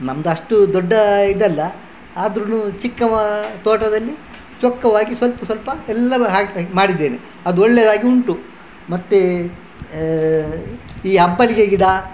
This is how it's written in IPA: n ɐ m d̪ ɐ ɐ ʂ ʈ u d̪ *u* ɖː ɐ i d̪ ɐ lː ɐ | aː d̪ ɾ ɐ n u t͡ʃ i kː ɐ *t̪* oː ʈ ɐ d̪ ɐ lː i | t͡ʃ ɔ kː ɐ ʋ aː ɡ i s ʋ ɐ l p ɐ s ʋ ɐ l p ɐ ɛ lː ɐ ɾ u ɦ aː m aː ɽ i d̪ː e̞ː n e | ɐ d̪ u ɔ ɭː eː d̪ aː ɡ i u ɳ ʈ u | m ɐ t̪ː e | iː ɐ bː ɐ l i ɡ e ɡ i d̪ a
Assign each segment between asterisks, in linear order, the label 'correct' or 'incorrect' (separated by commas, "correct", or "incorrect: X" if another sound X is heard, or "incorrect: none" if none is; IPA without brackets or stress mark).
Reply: incorrect: ɔ, correct